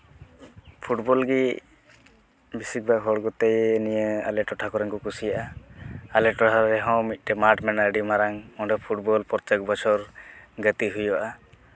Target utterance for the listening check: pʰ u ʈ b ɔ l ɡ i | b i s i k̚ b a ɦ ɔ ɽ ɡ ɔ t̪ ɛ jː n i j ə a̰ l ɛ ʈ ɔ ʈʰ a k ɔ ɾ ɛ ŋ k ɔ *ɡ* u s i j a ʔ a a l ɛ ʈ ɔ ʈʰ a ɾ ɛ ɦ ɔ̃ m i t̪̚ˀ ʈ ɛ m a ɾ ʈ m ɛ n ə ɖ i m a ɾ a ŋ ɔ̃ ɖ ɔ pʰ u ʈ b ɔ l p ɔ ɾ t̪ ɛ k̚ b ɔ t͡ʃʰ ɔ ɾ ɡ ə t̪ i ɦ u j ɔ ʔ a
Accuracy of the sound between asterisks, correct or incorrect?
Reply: incorrect